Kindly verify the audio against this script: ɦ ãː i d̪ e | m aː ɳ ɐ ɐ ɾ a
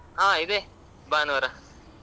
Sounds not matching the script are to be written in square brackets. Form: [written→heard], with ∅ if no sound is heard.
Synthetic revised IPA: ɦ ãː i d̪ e | [m→b] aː [ɳ→n] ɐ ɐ ɾ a